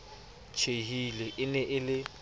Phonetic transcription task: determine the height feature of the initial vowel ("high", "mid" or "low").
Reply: mid